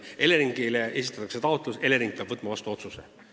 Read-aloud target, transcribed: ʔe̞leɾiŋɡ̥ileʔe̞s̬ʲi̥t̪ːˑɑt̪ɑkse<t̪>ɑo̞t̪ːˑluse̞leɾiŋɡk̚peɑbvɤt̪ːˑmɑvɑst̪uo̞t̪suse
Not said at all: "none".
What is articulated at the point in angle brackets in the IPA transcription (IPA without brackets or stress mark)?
t̪